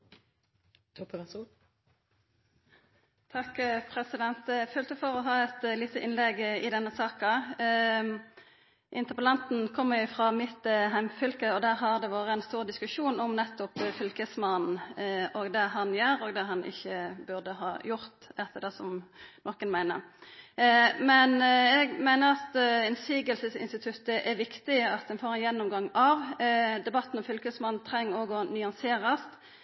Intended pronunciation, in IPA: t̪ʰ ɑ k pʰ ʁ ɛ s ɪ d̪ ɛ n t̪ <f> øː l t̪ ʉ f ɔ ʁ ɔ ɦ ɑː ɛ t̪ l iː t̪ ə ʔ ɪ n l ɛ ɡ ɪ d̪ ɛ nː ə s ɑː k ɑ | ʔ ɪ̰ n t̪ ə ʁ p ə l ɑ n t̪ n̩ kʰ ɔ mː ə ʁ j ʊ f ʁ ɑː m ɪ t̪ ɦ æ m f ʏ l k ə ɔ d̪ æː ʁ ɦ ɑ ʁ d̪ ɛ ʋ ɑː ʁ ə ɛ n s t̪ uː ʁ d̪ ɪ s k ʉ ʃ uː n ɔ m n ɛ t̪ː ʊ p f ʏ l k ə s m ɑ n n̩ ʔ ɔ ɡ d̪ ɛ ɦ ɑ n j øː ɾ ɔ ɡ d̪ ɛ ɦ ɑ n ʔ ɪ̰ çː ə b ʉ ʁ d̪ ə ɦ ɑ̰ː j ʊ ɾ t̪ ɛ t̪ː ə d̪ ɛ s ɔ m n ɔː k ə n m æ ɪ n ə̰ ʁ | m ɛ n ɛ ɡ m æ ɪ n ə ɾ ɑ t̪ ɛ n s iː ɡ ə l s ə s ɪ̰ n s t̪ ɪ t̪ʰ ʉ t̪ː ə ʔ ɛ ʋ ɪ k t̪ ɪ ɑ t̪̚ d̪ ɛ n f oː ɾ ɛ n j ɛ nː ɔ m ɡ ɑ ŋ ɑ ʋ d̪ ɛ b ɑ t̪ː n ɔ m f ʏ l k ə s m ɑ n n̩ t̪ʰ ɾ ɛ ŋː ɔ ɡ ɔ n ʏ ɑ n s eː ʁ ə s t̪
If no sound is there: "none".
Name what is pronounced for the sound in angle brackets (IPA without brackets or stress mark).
f